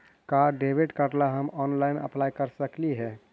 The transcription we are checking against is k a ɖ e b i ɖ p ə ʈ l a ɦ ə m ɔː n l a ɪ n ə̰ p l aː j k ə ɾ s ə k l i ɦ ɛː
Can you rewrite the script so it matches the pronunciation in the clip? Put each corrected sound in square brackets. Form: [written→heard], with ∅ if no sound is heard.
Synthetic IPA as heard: k a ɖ e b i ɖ [p→k] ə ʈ l a ɦ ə m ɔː n l a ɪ n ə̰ p l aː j k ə ɾ s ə k l i ɦ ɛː